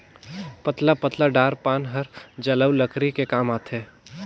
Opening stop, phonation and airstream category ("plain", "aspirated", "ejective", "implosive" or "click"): plain